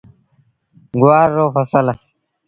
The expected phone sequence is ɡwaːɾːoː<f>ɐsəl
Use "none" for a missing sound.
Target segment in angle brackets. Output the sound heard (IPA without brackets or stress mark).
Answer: f